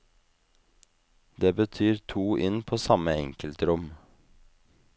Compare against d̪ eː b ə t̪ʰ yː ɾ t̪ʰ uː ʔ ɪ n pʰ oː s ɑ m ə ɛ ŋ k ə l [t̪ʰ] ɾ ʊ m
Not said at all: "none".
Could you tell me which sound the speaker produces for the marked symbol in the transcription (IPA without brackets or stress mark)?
t̪